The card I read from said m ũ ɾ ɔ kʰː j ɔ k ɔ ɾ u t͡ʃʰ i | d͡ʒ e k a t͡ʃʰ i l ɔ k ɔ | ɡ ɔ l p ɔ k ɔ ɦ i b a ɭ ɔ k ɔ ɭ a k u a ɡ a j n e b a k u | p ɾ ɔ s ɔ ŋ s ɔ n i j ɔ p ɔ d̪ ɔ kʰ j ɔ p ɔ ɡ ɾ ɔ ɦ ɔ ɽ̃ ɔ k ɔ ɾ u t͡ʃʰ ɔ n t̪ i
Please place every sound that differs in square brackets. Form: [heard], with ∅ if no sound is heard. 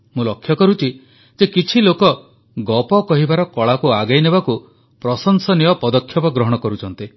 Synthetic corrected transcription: m ũ [l] ɔ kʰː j ɔ k ɔ ɾ u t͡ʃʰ i | d͡ʒ e k [i] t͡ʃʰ i l [o] k ɔ | ɡ ɔ [∅] p ɔ k ɔ ɦ i b a [ɾ] ɔ k ɔ ɭ a k u a ɡ a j n e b a k u | p ɾ ɔ s ɔ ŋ s ɔ n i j ɔ p ɔ d̪ ɔ kʰ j ɔ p ɔ ɡ ɾ ɔ ɦ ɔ ɽ̃ ɔ k ɔ ɾ u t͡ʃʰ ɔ n t̪ i